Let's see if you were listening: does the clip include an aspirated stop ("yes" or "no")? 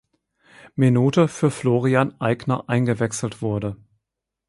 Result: no